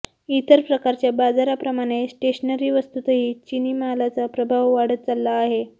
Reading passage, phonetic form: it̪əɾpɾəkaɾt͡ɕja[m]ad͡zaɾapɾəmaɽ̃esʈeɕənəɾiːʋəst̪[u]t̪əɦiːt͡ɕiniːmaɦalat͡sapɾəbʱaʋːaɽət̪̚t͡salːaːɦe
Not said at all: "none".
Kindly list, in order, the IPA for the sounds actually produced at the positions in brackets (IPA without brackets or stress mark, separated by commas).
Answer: b, u